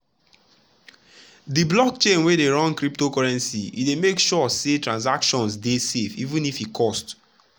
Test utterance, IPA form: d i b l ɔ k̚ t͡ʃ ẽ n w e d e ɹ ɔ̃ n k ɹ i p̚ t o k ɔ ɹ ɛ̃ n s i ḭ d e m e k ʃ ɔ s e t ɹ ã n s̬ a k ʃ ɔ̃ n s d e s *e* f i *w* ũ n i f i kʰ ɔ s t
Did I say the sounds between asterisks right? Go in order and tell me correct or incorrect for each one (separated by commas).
correct, incorrect